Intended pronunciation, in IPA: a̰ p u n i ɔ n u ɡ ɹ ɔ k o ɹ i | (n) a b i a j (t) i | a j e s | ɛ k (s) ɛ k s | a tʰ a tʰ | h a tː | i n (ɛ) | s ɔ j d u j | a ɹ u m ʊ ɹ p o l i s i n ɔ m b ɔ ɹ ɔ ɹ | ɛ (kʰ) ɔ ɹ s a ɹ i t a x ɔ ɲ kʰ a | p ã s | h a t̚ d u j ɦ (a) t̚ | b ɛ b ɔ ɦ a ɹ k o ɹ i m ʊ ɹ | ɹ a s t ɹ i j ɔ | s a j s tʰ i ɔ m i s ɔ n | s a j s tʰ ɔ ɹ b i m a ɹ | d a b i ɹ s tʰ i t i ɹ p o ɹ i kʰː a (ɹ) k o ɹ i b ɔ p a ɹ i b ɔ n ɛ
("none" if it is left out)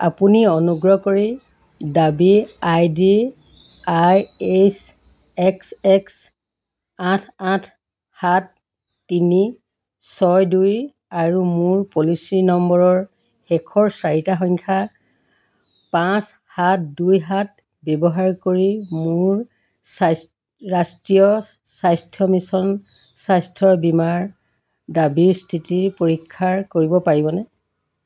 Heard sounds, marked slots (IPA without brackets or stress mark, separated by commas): d, d, s, i, kʰ, a, ɹ